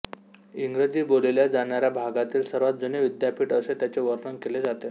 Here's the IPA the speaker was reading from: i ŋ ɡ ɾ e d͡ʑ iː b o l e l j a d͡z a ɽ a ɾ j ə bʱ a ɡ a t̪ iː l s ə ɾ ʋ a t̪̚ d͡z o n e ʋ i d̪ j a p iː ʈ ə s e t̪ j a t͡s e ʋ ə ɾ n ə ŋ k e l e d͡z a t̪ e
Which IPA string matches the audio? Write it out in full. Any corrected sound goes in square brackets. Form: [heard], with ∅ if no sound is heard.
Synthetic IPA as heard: i ŋ ɡ ɾ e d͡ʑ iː b o l e l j a d͡z a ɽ a ɾ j [a] bʱ a ɡ a t̪ iː l s ə ɾ ʋ a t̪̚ d͡z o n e ʋ i d̪ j a p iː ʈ ə s e t̪ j a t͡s e ʋ ə ɾ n ə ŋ k e l e d͡z a t̪ e